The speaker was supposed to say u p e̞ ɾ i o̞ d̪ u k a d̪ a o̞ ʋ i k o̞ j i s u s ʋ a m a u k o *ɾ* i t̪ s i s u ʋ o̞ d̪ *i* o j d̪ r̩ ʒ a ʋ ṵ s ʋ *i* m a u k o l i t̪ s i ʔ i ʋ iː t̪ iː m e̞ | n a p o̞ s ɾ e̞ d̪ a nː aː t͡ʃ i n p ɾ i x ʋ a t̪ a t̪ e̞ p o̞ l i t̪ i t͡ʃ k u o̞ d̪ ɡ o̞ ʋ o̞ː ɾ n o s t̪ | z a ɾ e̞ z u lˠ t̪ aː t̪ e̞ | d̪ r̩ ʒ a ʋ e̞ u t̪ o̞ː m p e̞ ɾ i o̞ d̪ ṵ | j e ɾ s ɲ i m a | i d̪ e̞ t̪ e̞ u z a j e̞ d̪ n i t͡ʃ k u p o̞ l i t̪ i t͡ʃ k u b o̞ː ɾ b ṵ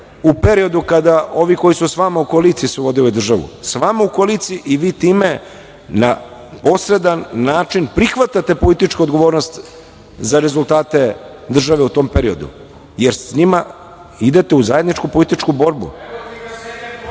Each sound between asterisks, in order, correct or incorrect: incorrect, correct, incorrect

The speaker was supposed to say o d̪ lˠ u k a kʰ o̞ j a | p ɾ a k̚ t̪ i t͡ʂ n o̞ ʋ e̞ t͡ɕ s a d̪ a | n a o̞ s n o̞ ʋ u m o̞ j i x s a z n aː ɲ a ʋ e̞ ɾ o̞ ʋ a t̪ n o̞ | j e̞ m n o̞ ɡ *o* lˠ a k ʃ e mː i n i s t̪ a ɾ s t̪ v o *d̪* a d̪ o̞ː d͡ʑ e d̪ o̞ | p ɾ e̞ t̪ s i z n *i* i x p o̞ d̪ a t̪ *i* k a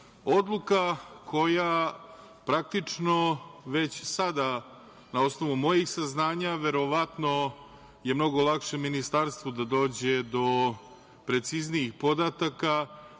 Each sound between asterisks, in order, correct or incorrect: correct, correct, correct, incorrect

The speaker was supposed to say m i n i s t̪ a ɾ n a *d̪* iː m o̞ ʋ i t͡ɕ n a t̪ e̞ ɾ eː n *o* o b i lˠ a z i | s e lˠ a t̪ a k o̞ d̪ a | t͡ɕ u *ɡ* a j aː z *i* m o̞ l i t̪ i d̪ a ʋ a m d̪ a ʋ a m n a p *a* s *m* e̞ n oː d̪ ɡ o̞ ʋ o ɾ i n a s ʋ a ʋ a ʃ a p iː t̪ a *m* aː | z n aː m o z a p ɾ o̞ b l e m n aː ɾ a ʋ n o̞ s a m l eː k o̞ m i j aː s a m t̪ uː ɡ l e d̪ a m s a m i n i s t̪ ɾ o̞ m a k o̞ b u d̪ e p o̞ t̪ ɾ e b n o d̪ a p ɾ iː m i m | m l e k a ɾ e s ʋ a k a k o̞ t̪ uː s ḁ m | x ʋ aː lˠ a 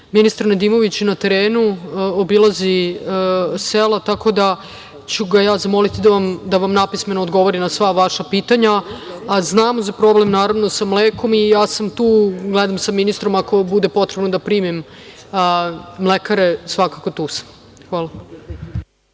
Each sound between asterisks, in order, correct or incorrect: correct, incorrect, correct, incorrect, incorrect, correct, incorrect

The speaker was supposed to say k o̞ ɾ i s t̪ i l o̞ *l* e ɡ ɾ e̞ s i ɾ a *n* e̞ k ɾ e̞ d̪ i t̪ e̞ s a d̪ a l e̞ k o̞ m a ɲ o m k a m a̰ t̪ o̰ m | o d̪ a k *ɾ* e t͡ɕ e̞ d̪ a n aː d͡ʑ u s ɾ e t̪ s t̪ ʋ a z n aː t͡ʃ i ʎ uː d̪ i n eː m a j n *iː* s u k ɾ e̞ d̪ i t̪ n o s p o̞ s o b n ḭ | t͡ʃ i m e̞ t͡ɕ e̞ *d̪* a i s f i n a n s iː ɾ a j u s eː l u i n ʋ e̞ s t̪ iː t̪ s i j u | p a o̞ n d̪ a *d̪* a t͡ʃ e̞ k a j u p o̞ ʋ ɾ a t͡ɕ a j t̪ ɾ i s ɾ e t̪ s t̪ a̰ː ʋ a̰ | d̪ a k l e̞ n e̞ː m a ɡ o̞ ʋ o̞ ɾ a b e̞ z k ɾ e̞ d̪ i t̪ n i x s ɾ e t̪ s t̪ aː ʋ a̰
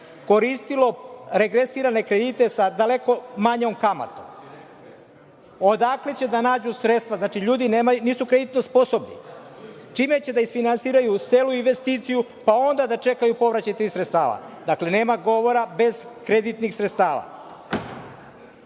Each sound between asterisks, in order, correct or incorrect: incorrect, correct, incorrect, correct, correct, correct

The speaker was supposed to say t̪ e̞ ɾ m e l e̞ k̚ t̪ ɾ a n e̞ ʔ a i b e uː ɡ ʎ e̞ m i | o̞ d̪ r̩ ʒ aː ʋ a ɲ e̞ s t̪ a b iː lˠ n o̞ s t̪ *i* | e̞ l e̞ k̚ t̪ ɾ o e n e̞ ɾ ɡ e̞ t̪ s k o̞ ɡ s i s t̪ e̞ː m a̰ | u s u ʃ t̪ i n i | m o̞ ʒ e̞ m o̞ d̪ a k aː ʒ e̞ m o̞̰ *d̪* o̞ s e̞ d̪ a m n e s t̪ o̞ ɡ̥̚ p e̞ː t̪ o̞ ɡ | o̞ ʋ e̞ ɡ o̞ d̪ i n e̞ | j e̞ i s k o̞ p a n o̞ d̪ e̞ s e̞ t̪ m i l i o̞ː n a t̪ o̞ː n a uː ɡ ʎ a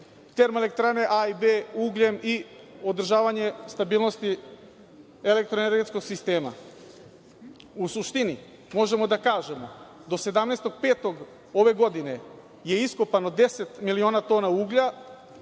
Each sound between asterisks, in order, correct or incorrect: correct, correct

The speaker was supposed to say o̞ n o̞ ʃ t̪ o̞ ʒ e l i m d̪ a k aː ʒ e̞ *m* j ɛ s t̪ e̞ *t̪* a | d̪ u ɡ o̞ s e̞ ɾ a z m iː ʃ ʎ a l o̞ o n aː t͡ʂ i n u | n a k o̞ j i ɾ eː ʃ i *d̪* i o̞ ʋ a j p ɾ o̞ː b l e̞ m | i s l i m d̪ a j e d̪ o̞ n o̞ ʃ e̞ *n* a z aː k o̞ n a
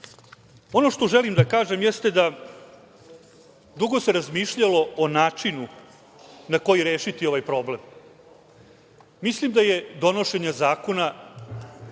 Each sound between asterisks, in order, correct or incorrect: correct, incorrect, incorrect, incorrect

